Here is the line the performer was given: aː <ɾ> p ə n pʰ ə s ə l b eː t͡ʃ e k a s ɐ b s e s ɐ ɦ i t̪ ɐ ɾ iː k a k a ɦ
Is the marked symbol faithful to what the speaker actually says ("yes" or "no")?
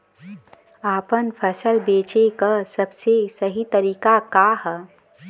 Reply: no